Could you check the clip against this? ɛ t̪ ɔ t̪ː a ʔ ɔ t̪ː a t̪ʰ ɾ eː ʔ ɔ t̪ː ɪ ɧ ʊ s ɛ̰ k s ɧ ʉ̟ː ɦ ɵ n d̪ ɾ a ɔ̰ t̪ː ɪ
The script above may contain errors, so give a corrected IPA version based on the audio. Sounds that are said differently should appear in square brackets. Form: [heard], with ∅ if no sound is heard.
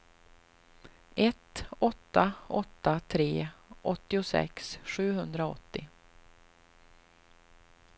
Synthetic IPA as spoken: ɛ t̪ ɔ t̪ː a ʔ ɔ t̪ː a t̪ʰ ɾ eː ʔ ɔ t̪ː ɪ [∅] ʊ s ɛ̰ k s ɧ ʉ̟ː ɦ ɵ n d̪ ɾ a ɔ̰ t̪ː ɪ